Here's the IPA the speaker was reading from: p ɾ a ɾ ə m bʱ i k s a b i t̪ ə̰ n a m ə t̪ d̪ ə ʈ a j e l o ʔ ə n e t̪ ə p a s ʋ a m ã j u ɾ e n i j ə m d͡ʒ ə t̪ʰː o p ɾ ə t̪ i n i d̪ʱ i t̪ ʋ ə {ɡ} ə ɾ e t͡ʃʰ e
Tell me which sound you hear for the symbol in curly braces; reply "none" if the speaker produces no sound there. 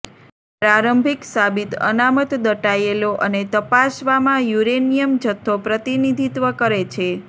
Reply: k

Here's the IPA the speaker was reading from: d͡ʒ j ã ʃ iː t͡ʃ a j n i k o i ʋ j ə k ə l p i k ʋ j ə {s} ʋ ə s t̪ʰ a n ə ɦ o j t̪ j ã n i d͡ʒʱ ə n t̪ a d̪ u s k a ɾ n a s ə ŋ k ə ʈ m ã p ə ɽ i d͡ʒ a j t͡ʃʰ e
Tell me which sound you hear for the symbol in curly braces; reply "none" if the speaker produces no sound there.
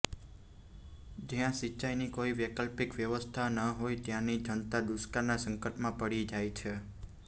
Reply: none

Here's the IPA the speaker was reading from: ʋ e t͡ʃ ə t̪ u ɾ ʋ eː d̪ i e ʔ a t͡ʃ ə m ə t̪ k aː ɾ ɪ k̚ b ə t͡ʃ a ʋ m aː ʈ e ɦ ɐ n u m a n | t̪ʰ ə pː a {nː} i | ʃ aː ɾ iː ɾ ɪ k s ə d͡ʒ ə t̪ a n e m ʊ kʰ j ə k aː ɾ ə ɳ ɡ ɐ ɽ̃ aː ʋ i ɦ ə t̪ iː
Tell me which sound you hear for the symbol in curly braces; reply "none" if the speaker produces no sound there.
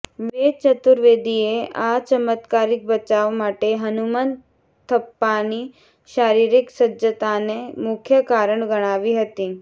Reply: n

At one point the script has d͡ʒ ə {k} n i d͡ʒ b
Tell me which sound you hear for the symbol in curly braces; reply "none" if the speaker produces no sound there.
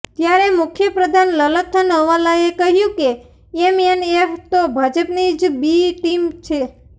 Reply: p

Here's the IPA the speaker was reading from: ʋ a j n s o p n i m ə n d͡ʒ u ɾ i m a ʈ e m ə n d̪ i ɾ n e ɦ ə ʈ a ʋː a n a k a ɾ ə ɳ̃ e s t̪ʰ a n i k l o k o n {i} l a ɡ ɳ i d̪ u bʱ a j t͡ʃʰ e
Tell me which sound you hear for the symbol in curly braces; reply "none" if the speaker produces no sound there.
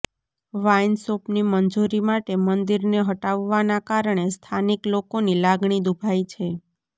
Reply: i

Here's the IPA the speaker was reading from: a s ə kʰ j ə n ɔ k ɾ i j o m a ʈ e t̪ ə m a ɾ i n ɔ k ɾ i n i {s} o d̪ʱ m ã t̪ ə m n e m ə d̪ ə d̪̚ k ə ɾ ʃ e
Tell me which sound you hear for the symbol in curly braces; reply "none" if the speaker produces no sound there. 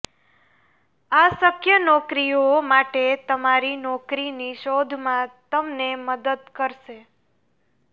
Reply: ʃ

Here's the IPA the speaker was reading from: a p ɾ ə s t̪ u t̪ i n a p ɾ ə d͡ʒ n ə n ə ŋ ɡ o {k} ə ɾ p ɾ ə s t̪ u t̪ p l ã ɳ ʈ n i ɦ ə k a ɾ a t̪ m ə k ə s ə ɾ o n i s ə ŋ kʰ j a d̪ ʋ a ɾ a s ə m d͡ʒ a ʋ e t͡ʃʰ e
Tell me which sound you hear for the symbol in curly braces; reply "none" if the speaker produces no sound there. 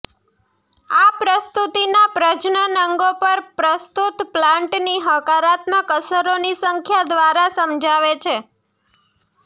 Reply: p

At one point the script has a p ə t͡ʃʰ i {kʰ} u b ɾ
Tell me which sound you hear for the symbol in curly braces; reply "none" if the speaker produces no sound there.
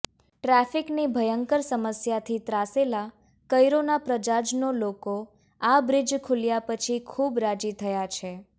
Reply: kʰ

